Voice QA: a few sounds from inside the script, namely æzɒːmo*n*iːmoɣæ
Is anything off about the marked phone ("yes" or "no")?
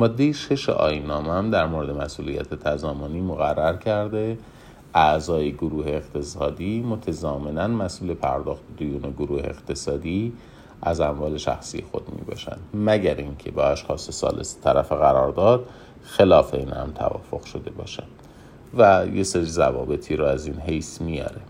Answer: no